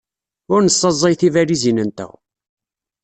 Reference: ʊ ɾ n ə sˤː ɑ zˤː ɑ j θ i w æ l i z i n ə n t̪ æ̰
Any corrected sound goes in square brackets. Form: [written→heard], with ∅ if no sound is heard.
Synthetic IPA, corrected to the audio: ʊ ɾ n ə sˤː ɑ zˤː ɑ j θ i [w→v] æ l i z i n ə n t̪ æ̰